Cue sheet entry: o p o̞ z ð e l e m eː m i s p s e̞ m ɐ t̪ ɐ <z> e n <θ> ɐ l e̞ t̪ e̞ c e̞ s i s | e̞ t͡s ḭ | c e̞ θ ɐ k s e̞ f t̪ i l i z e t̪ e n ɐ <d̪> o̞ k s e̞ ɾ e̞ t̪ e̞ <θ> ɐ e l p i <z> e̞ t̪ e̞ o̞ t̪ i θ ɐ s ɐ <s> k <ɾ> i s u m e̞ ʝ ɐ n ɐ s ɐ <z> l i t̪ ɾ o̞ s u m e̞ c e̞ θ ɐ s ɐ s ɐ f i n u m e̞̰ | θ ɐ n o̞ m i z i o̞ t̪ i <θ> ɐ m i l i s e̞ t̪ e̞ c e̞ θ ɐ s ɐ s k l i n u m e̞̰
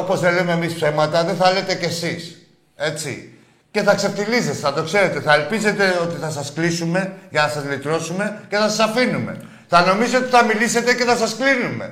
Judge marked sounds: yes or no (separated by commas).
no, yes, no, yes, yes, yes, no, yes, yes